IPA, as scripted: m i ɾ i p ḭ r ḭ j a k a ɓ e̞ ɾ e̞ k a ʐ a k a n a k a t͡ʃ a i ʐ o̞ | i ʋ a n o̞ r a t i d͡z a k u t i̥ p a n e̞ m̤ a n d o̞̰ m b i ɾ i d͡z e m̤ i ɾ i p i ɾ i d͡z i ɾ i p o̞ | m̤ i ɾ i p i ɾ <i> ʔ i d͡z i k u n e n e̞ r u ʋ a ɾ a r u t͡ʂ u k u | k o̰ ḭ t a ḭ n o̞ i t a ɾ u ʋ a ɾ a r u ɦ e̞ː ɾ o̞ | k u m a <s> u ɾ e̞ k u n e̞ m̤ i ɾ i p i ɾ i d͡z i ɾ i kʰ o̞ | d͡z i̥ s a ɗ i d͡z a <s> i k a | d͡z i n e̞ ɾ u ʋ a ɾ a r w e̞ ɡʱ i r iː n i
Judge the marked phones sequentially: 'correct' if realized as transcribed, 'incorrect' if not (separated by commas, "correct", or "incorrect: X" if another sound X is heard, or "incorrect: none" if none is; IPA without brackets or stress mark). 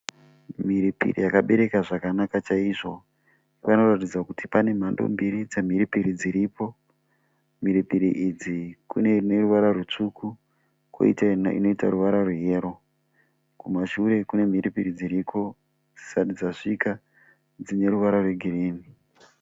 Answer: correct, incorrect: ʃ, incorrect: ʂ